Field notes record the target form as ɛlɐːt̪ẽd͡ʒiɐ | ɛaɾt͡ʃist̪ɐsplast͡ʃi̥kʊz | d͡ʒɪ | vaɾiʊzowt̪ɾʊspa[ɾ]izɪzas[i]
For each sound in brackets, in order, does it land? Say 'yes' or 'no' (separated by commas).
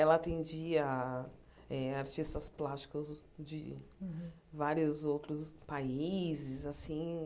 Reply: no, no